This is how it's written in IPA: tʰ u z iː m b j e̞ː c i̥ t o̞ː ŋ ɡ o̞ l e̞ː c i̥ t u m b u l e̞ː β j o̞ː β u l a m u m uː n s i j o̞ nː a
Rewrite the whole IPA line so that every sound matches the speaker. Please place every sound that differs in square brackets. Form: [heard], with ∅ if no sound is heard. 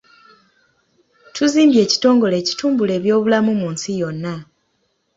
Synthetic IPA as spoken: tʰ u z iː m b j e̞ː c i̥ t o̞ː ŋ ɡ o̞ l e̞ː c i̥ t [uː] m b u l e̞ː β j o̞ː β u l a m u m uː n s i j o̞ nː a